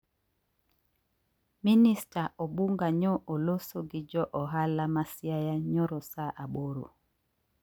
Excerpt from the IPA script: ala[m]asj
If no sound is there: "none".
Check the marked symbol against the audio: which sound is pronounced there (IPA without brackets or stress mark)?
m